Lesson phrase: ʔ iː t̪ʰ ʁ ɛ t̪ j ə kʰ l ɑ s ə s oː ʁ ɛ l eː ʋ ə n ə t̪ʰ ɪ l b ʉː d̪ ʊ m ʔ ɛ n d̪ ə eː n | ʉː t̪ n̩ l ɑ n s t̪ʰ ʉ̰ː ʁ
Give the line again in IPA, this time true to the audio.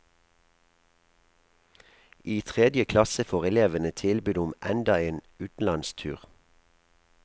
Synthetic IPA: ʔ iː t̪ʰ ʁ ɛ d̪ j ə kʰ l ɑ s ə f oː ʁ ɛ l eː ʋ ə n ə t̪ʰ ɪ l b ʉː d̪ ʊ m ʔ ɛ n d̪ ɑ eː n | ʉː t̪ n̩ l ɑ n s t̪ʰ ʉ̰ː ʁ